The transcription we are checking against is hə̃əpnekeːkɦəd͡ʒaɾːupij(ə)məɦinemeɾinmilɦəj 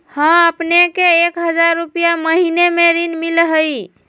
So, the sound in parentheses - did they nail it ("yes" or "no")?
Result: no